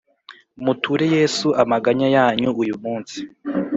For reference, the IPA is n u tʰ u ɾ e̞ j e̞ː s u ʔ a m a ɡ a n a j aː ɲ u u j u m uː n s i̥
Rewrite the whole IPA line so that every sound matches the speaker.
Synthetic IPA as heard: m u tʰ u ɾ e̞ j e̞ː s u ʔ a m a ɡ a ɲ a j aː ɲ u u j u m uː n s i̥